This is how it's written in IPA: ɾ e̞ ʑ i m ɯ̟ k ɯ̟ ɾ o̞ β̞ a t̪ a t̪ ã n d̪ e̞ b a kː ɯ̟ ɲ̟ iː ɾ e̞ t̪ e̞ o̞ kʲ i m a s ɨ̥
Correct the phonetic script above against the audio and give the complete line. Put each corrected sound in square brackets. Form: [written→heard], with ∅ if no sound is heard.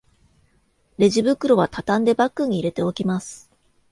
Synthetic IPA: ɾ e̞ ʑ i [m→b] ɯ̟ k ɯ̟ ɾ o̞ β̞ a t̪ a t̪ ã n d̪ e̞ b a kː ɯ̟ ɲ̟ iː ɾ e̞ t̪ e̞ o̞ kʲ i m a s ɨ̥